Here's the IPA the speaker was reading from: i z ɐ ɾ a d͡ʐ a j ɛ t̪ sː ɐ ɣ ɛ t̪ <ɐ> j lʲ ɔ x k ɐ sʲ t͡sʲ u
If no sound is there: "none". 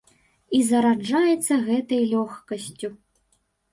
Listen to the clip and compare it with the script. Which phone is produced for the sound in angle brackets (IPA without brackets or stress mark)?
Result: ɐ